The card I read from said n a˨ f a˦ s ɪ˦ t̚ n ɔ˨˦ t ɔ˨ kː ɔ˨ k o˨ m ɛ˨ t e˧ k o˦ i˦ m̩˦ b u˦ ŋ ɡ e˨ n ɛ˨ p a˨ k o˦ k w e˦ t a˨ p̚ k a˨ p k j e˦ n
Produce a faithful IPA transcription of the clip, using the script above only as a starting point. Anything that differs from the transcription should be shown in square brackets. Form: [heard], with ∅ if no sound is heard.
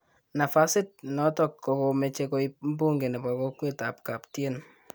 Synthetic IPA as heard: n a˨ f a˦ s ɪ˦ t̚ n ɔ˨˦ t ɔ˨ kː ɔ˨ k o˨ m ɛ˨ [t͡ʃ] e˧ k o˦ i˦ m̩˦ b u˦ ŋ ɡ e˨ n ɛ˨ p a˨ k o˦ k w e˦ t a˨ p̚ k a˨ p [t] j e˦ n